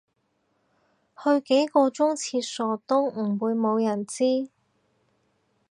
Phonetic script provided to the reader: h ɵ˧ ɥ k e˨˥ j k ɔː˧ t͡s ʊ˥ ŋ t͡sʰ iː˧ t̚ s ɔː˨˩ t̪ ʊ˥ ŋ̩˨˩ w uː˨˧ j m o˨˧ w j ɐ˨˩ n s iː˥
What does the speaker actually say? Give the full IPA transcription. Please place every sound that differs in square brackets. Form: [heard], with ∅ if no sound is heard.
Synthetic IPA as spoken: h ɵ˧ ɥ k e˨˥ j k ɔː˧ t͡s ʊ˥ ŋ t͡sʰ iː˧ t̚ s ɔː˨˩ t̪ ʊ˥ ŋ̩˨˩ w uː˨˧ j m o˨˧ w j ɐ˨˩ n [t͡s] iː˥